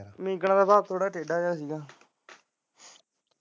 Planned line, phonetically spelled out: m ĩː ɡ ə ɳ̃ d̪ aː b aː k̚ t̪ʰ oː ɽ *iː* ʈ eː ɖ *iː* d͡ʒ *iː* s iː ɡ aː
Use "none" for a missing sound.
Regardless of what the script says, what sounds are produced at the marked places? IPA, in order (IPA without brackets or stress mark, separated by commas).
aː, aː, aː